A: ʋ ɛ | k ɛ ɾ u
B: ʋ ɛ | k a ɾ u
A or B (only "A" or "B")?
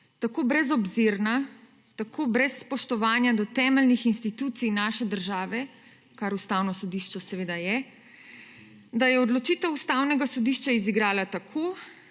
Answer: B